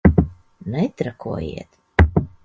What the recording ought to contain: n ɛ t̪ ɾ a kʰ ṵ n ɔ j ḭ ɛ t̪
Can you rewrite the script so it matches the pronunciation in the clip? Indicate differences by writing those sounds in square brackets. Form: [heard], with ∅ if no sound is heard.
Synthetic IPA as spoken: n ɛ t̪ ɾ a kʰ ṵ [∅] ɔ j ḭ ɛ t̪